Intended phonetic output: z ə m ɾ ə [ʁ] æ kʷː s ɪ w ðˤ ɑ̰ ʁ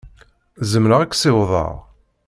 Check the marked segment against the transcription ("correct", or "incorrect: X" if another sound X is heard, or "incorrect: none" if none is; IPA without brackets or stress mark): correct